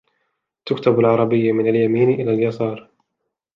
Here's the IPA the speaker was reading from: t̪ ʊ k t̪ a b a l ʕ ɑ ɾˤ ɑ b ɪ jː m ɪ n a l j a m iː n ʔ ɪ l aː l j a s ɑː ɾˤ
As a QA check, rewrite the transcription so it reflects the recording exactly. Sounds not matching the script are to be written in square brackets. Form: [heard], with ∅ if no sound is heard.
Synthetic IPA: t̪ ʊ k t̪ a b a l ʕ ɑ ɾˤ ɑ b ɪ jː m ɪ n a l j a m iː n ʔ ɪ l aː l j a s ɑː ɾˤ